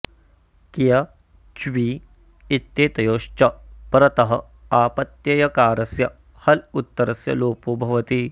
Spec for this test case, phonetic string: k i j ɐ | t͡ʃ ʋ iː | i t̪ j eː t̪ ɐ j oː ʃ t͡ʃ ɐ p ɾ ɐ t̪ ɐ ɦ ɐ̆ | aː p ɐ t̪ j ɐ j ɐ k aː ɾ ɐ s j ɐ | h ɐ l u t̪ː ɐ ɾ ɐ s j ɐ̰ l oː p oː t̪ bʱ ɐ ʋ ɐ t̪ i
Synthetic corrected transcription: k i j ɐ | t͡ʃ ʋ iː | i t̪ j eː t̪ ɐ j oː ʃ t͡ʃ ɐ p ɾ ɐ t̪ ɐ ɦ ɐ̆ | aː p ɐ t̪ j ɐ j ɐ k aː ɾ ɐ s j ɐ | h ɐ l u t̪ː ɐ ɾ ɐ s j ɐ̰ l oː p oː bʱ ɐ ʋ ɐ t̪ i